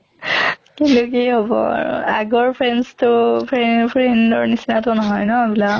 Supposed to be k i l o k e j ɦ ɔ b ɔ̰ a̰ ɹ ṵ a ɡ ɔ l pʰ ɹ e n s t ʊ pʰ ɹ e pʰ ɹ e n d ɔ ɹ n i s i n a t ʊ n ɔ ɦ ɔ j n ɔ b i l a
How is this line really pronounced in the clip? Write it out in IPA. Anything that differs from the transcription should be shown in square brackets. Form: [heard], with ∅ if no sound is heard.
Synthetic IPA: k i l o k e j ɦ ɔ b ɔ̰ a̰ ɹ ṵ a ɡ ɔ [ɹ] pʰ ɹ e n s t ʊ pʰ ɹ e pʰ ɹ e n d ɔ ɹ n i s i n a t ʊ n ɔ ɦ ɔ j n ɔ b i l a